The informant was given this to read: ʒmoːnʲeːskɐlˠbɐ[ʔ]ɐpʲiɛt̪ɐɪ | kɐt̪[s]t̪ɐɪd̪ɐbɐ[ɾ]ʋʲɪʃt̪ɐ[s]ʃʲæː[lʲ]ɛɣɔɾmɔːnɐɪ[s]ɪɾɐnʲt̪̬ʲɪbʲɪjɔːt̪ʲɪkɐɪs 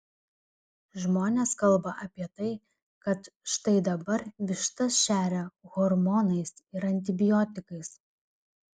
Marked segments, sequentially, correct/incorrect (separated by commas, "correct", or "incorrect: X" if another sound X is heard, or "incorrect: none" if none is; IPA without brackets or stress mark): correct, incorrect: ʃ, correct, correct, incorrect: ɾʲ, correct